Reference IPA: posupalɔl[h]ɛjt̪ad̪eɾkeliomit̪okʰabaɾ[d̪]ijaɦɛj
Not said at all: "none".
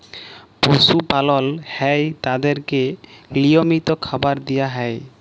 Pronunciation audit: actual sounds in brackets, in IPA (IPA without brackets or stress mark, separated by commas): h, d̪